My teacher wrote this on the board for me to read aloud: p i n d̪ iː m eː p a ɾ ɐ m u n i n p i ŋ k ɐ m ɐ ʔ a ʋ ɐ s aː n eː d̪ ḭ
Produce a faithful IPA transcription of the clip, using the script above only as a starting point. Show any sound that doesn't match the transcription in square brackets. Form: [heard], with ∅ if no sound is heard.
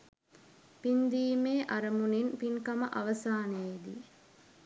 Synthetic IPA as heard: p i n d̪ iː m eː [ʔ] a ɾ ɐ m u n i n p i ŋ k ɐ m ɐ ʔ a ʋ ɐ s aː n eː d̪ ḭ

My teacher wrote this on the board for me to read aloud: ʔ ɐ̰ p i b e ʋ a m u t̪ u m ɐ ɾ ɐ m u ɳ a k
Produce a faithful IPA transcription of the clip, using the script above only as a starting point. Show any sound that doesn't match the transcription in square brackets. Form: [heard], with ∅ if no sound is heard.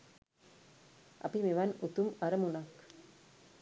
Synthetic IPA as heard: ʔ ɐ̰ p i [m] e ʋ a [n] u t̪ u m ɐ ɾ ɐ m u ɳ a k

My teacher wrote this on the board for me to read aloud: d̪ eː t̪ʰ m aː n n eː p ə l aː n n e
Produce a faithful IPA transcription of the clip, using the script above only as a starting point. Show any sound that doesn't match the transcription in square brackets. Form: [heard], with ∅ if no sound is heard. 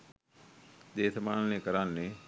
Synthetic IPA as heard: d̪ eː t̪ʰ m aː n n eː [k] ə [ɾ] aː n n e

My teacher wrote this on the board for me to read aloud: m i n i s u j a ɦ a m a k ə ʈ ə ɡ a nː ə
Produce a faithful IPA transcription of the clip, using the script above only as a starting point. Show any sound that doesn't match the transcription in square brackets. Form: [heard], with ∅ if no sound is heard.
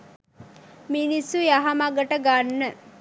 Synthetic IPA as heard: m i n i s u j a ɦ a m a [ɡ] ə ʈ ə ɡ a nː ə

